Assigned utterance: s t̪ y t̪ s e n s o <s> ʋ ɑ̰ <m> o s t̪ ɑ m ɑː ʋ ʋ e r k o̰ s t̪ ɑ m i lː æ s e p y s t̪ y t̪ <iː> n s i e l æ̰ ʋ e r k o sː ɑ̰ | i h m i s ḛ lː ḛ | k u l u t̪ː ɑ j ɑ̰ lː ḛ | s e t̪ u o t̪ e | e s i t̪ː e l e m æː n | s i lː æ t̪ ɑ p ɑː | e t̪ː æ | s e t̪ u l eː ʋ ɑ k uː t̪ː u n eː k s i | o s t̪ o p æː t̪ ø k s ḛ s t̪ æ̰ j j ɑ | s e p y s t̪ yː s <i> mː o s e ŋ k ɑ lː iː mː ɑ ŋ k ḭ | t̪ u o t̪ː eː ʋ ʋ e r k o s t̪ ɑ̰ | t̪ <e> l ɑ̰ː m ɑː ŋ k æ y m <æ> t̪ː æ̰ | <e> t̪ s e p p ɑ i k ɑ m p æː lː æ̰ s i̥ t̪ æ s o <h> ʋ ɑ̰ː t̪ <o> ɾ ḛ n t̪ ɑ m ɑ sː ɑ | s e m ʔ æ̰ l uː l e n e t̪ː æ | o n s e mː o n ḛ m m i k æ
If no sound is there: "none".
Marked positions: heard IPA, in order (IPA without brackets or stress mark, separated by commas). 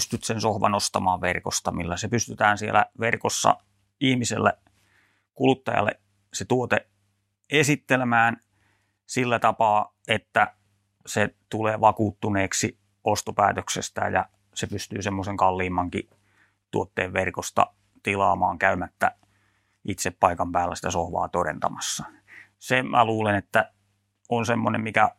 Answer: h, n, æː, e, i, æ, i, h, o